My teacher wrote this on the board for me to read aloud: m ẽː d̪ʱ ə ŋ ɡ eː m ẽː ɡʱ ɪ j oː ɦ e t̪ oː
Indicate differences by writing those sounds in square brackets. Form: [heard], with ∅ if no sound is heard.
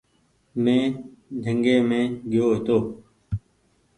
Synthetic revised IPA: m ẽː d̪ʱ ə ŋ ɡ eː m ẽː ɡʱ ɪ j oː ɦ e t̪ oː